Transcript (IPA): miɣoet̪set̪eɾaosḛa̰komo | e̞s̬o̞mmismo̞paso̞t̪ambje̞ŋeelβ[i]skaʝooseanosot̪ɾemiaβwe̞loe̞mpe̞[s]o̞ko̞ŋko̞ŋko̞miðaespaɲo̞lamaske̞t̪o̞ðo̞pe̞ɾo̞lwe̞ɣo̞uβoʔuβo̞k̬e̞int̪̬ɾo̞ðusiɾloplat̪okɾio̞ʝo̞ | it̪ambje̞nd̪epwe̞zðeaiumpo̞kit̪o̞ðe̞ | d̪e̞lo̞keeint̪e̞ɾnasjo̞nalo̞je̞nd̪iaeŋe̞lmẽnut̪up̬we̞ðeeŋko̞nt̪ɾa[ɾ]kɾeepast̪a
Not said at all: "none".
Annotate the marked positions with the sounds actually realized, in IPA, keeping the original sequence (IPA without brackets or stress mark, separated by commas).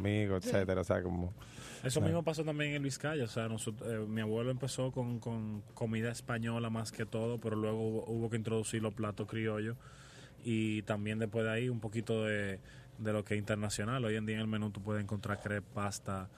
i, s, ɾ